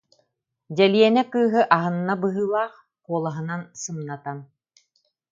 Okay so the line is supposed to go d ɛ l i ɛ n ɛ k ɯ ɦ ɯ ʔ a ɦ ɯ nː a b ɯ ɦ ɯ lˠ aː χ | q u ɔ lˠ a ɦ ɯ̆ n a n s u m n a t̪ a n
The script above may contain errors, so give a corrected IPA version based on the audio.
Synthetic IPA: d ɛ l i ɛ n ɛ k ɯː ɦ ɯ ʔ a ɦ ɯ nː a b ɯ ɦ ɯː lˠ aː χ | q u ɔ lˠ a ɦ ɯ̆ n a n s ɯ m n a t̪ a n